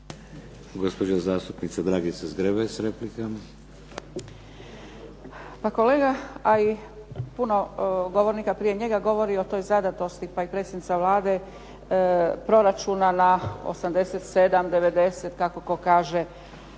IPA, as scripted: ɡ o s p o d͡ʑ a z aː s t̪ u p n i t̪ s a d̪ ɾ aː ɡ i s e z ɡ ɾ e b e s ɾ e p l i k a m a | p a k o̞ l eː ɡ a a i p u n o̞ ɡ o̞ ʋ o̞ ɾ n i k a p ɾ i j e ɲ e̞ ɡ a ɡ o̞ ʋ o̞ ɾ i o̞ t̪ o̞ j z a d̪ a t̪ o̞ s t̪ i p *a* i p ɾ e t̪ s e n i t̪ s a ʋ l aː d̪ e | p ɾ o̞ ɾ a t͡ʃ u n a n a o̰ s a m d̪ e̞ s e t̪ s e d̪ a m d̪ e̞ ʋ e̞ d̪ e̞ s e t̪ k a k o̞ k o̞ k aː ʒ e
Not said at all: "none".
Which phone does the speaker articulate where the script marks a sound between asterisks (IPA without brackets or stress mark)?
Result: a